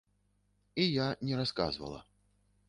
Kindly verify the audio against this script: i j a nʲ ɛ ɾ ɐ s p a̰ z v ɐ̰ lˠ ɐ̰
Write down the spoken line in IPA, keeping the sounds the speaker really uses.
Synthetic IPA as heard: i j a nʲ ɛ ɾ a s k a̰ z v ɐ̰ lˠ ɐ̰